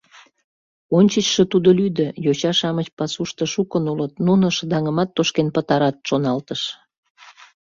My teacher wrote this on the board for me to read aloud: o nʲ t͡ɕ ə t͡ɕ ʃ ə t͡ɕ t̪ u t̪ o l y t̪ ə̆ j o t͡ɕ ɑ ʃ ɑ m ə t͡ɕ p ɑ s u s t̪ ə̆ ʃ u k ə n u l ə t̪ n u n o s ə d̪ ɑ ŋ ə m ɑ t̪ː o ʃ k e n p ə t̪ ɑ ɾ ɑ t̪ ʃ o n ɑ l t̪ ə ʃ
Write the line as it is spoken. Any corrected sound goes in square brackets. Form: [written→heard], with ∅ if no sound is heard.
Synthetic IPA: o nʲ t͡ɕ ə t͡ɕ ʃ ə [t͡ɕ→∅] t̪ u [t̪→d̪] o l y [t̪→d̪] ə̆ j o t͡ɕ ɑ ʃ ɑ m ə t͡ɕ p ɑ s u [s→ʃ] t̪ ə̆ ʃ u k ə n u l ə t̪ n u n o [s→ʃ] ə d̪ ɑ ŋ ə m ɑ t̪ː o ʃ k e n p ə t̪ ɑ ɾ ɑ t̪ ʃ o n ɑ l t̪ ə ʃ